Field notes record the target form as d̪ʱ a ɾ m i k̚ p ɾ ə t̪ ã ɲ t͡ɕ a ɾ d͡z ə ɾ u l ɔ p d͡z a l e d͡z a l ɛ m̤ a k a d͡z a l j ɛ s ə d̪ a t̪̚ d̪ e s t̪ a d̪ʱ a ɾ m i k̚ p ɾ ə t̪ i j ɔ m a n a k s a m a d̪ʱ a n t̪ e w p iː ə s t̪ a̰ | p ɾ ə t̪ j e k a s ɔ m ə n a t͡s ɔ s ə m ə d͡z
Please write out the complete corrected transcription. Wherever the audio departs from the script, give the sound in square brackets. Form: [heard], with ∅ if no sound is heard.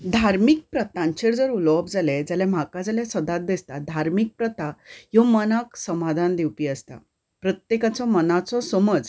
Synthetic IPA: d̪ʱ a ɾ m i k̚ p ɾ ə t̪ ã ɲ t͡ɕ [e] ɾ d͡z ə ɾ u l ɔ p d͡z a l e d͡z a l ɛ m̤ a k a d͡z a l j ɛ s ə d̪ a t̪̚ d̪ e s t̪ a d̪ʱ a ɾ m i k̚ p ɾ ə t̪ [a] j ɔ m [ə] n a k s [ə] m a d̪ʱ a n [d̪] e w p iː ə s t̪ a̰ | p ɾ ə t̪ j e k a [t͡s] ɔ m ə n a t͡s ɔ s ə m ə d͡z